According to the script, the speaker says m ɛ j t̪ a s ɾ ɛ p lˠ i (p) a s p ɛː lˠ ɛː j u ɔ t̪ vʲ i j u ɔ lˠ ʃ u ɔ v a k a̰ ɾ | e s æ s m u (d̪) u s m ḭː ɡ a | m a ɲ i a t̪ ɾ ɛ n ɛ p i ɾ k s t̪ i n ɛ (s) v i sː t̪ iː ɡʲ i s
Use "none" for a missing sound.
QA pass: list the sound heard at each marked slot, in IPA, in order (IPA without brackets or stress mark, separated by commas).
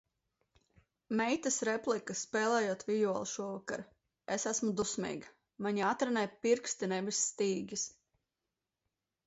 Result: k, d̪, none